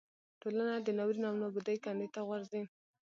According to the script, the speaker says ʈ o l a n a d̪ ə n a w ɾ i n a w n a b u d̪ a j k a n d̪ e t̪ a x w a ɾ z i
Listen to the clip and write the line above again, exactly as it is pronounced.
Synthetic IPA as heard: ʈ o l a n a d̪ ə n a w ɾ i n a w n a b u d̪ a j k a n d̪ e t̪ a ɣ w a ɾ z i